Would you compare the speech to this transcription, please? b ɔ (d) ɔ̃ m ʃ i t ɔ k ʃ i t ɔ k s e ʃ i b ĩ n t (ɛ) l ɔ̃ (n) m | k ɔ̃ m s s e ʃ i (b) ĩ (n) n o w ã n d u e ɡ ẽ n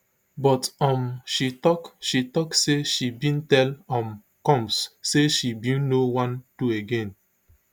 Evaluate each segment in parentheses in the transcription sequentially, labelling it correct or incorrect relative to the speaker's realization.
incorrect, correct, incorrect, correct, correct

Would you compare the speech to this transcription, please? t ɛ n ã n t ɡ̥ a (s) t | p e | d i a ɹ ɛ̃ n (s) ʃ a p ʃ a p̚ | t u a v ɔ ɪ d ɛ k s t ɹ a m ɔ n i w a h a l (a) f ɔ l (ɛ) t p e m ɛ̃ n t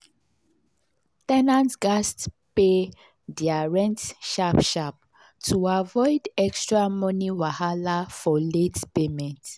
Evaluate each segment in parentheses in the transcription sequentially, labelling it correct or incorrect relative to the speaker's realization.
correct, incorrect, correct, incorrect

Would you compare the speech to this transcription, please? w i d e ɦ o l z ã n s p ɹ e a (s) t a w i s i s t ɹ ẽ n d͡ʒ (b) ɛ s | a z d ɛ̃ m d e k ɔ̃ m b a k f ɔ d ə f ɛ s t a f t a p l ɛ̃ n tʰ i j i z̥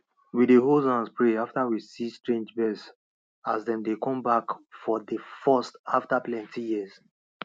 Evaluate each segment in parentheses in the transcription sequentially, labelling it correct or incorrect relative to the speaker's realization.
incorrect, correct

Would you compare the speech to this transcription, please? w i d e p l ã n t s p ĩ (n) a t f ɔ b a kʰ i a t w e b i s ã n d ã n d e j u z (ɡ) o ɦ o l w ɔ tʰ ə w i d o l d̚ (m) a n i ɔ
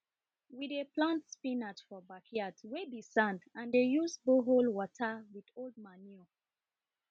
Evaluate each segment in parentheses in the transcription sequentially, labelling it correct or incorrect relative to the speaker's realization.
correct, incorrect, correct

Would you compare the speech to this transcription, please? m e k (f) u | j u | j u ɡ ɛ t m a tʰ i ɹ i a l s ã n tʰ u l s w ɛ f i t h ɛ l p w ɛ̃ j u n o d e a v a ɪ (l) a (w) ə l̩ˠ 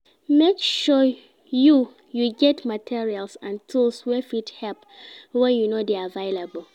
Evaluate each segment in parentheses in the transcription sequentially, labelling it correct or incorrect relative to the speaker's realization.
incorrect, correct, incorrect

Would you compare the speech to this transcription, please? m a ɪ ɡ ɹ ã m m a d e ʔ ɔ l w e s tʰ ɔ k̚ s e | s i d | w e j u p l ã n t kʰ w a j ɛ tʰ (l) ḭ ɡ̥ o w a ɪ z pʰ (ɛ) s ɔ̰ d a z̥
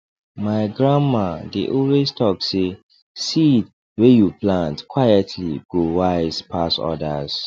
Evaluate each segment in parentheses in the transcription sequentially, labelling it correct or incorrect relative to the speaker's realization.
correct, incorrect

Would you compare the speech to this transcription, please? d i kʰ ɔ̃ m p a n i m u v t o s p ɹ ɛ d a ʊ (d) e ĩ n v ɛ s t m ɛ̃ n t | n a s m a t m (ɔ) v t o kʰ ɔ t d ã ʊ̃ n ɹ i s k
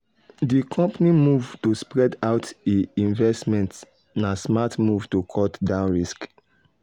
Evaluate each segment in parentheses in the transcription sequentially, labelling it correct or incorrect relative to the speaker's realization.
incorrect, incorrect

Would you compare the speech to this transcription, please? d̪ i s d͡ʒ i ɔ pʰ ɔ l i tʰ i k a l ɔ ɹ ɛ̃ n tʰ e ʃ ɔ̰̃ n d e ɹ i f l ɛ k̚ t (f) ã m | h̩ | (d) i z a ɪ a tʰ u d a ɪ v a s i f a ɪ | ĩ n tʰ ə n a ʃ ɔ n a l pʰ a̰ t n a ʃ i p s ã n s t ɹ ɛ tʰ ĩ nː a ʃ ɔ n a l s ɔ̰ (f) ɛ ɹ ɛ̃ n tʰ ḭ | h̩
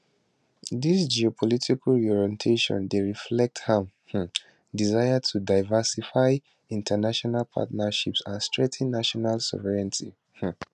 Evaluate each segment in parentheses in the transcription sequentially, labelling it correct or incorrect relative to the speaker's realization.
incorrect, correct, incorrect

